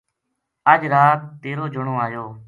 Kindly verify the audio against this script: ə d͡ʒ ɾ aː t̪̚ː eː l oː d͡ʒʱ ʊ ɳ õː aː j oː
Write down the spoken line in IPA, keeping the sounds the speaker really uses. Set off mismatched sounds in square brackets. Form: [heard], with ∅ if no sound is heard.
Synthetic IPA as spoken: ə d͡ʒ ɾ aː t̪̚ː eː [ɾ] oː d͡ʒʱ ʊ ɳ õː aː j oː